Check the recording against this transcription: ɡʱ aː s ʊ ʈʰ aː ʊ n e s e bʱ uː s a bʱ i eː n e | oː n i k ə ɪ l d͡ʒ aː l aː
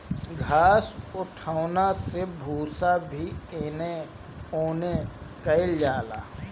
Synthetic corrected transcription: ɡʱ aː s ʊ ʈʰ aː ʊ n a s e bʱ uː s a bʱ i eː n e | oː n e k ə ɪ l d͡ʒ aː l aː